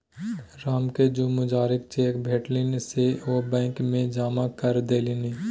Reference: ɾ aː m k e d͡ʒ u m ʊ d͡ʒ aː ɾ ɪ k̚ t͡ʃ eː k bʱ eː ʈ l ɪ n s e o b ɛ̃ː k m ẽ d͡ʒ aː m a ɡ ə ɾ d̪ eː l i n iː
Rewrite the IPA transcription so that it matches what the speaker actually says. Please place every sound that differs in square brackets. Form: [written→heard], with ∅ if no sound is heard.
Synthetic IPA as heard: ɾ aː m k e d͡ʒ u m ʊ d͡ʒ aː ɾ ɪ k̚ t͡ʃ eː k bʱ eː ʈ l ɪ n s e o b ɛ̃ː k m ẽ d͡ʒ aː m a [ɡ→k] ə ɾ d̪ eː l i n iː